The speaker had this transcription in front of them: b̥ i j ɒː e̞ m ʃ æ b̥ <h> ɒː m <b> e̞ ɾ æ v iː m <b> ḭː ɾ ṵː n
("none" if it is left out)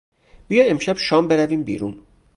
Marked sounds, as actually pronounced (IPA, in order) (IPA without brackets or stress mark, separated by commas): ʃ, b, b